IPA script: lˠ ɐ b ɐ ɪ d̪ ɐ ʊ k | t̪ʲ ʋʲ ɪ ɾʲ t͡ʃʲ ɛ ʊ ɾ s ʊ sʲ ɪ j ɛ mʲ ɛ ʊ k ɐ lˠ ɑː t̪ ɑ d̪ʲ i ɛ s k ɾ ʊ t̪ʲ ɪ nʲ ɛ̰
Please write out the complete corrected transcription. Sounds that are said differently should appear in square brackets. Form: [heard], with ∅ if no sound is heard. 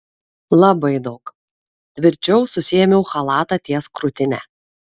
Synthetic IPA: lˠ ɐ b ɐ ɪ d̪ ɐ ʊ k | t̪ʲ ʋʲ ɪ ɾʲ t͡ʃʲ ɛ ʊ [∅] s ʊ sʲ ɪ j ɛ mʲ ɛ ʊ [x] ɐ lˠ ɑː t̪ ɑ [t̪ʲ] i ɛ s k ɾ ʊ t̪ʲ ɪ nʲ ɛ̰